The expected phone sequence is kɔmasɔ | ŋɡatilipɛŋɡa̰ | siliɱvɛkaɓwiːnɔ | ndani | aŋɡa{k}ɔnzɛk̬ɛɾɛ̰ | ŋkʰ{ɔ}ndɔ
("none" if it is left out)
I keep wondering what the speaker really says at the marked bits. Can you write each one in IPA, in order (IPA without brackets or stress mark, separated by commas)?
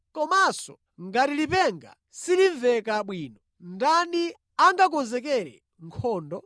k, ɔː